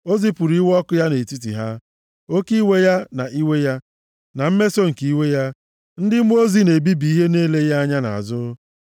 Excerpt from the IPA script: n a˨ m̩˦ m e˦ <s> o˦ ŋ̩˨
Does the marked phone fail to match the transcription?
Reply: no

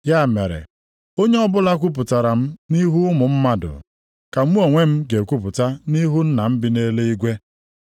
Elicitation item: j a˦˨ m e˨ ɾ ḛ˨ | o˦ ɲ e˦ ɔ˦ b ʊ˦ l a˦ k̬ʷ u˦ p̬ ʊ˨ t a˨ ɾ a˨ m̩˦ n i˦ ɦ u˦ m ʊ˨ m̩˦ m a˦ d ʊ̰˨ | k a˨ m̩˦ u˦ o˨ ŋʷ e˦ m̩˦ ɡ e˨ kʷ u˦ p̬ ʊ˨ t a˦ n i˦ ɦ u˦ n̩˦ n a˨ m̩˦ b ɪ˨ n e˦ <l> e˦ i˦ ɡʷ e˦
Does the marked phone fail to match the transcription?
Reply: no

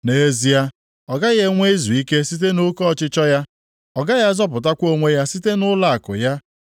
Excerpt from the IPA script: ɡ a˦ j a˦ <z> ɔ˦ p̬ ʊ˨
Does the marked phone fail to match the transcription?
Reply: no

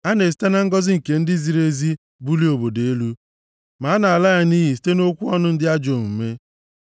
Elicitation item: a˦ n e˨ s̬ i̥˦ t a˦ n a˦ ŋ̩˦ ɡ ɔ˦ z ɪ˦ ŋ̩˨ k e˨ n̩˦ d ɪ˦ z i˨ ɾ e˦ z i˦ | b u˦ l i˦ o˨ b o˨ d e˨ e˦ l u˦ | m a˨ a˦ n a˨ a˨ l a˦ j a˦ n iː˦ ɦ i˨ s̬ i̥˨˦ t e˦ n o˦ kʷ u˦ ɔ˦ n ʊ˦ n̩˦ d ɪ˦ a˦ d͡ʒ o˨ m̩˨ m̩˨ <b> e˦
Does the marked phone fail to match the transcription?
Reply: yes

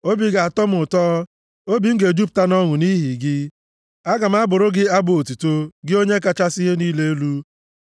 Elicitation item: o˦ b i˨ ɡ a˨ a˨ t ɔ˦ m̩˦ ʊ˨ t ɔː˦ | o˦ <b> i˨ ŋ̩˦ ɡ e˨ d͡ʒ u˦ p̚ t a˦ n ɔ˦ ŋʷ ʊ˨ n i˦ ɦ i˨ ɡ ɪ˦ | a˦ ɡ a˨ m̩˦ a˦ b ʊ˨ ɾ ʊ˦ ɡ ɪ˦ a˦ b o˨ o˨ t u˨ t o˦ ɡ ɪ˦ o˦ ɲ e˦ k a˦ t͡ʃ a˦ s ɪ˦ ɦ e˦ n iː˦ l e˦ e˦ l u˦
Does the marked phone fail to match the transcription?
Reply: no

